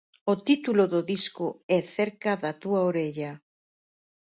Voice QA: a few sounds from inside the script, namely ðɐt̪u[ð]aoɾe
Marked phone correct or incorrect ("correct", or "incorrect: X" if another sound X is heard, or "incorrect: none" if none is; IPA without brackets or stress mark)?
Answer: incorrect: none